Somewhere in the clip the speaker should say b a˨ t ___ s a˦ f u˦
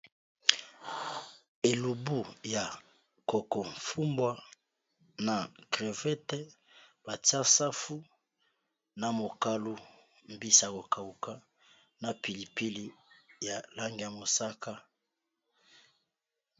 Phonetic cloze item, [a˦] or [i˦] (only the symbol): a˦